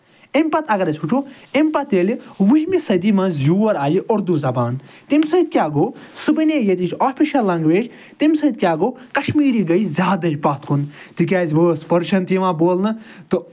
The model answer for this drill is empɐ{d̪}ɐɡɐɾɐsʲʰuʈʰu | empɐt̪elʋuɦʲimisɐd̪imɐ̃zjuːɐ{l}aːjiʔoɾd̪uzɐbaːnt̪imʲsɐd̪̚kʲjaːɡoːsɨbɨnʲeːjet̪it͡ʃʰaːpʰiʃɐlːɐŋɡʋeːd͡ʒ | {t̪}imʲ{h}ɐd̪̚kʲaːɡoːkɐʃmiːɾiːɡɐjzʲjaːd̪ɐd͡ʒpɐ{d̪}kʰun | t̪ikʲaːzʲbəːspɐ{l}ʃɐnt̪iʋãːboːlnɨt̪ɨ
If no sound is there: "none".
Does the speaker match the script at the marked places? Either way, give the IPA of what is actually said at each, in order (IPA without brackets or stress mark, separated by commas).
t̪, ɾ, t̪, s, t̪, ɾ